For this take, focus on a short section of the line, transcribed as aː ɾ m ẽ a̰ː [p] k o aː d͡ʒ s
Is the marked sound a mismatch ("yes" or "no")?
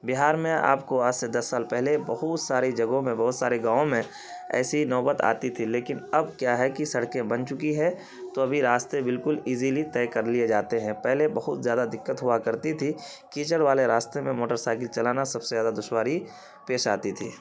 no